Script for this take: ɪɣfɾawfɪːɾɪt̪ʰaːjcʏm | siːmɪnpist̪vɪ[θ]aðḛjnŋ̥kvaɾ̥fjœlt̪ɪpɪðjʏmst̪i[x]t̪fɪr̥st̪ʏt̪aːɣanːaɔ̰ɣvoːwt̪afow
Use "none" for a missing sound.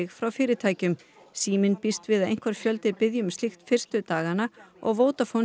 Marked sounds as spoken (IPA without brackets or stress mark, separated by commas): ð, x